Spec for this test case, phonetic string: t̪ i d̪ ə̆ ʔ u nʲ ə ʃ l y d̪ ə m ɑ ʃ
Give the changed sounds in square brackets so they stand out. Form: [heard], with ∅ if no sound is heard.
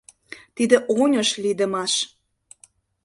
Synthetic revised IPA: t̪ i d̪ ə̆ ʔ [o] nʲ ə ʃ l [i] d̪ ə m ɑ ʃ